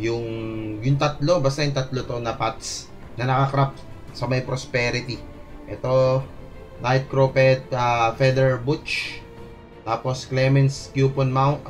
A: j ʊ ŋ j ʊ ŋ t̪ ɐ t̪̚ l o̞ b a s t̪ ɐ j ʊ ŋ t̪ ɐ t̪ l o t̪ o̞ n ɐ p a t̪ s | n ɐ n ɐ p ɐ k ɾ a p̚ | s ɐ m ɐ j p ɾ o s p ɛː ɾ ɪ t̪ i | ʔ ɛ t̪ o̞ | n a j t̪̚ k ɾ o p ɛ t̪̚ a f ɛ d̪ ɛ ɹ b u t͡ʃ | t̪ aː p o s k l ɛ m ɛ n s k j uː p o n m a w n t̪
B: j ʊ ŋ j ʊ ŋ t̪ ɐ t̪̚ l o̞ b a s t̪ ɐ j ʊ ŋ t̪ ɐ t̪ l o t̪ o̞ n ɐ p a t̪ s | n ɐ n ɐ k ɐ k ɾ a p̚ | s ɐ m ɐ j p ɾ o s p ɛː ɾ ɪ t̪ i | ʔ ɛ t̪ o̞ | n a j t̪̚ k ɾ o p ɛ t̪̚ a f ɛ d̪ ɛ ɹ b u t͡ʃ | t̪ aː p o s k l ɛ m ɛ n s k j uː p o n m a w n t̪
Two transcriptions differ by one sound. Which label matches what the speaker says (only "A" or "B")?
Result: B